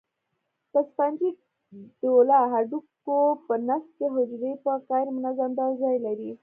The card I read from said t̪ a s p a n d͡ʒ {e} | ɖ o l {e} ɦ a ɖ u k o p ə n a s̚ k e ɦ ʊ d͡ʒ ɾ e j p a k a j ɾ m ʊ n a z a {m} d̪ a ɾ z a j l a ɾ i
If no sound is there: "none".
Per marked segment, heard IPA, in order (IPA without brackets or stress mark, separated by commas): i, a, m